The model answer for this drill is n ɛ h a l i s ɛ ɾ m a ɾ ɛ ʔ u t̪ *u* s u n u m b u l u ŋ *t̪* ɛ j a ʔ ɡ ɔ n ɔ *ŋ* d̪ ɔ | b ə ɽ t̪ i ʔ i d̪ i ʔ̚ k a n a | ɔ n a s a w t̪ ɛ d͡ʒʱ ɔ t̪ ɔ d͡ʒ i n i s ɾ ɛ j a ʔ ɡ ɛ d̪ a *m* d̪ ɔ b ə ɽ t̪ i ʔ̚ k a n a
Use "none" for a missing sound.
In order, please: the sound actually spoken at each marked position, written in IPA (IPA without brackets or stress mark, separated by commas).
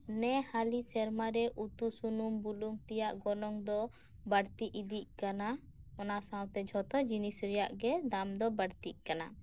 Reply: u, t̪, ŋ, m